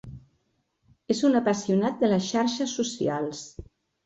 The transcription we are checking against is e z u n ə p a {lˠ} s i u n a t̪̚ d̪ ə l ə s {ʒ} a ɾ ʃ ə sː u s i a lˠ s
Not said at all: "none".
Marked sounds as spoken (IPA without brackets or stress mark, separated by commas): none, ʃ